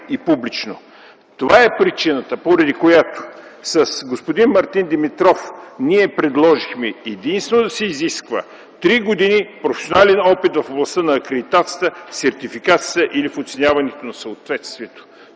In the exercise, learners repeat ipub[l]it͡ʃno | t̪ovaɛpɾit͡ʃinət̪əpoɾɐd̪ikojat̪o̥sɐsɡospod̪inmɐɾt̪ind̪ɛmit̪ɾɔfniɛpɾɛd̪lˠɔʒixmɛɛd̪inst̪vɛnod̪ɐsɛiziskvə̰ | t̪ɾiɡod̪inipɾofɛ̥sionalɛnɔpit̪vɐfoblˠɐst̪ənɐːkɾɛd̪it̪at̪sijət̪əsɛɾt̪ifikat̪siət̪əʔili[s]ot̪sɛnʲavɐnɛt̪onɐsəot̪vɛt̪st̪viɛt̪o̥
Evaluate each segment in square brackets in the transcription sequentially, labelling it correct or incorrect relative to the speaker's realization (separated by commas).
correct, incorrect